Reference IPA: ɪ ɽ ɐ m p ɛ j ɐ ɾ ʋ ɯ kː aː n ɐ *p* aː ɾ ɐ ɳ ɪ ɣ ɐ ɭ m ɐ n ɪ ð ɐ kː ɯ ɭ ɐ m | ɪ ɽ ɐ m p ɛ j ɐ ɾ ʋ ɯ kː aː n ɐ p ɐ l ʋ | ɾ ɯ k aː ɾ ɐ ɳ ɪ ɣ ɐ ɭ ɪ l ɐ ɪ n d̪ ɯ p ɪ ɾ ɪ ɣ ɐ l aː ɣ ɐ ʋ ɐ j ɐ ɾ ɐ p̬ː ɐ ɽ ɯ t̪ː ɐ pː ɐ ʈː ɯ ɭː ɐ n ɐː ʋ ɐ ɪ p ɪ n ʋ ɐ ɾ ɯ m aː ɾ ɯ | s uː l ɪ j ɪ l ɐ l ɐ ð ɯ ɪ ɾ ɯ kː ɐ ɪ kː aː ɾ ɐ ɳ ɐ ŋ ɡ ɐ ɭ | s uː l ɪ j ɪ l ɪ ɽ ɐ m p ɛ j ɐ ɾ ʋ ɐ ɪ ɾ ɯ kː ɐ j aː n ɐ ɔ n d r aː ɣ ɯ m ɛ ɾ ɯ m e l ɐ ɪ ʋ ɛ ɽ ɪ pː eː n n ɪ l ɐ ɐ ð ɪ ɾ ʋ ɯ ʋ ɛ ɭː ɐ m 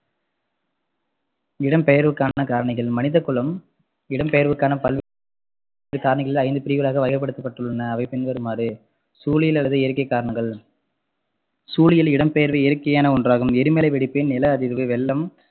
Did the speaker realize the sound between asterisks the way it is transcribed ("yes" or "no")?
no